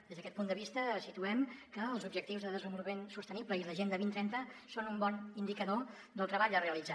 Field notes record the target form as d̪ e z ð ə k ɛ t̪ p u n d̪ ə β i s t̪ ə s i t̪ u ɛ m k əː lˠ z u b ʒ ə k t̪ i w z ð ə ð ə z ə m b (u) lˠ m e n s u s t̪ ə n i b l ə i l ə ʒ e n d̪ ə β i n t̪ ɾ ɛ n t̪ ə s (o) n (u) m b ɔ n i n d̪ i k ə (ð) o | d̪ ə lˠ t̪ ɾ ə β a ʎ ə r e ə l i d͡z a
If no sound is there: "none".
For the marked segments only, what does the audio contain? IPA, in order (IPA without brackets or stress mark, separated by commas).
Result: u, o, u, ð